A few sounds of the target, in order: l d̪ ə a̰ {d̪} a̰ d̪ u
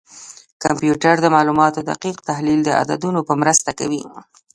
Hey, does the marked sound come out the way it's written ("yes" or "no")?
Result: yes